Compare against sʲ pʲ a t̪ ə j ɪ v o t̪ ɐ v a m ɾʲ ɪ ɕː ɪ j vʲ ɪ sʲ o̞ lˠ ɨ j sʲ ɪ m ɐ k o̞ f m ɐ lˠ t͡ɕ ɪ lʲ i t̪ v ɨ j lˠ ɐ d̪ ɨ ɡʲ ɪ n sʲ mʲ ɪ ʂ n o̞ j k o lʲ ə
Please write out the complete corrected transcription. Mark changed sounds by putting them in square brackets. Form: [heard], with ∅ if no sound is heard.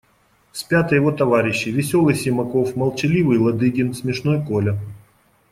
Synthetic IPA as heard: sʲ pʲ a t̪ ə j ɪ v o t̪ ɐ v a [∅] ɾʲ ɪ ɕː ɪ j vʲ ɪ sʲ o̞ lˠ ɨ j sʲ ɪ m ɐ k o̞ f m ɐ lˠ t͡ɕ ɪ lʲ i [∅] v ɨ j lˠ ɐ d̪ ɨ ɡʲ ɪ n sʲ mʲ ɪ ʂ n o̞ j k o lʲ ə